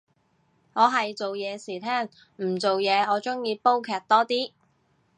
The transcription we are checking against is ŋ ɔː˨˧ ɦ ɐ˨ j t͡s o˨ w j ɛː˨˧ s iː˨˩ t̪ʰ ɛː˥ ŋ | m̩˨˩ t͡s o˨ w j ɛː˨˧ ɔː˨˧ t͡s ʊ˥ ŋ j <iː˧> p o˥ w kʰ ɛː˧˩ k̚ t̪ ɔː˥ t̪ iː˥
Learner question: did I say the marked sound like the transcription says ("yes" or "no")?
yes